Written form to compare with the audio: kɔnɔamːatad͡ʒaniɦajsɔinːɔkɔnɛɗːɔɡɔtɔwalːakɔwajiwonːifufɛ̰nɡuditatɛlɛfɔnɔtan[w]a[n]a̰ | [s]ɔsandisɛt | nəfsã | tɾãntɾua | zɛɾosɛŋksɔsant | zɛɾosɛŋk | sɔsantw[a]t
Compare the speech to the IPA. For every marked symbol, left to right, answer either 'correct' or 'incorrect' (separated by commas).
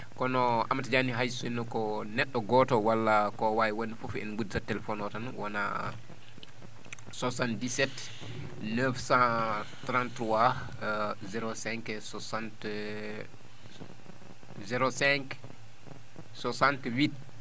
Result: correct, correct, correct, incorrect